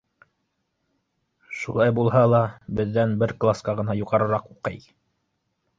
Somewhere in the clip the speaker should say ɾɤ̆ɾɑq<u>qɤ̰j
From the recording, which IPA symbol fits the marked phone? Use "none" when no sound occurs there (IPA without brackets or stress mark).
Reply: u